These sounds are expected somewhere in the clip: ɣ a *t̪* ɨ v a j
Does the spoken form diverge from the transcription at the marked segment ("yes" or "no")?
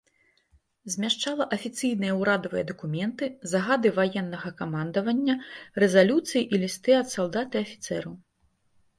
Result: yes